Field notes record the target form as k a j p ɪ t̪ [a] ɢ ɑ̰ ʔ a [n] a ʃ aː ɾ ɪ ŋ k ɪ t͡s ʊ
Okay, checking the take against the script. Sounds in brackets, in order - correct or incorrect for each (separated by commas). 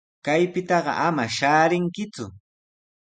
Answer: incorrect, incorrect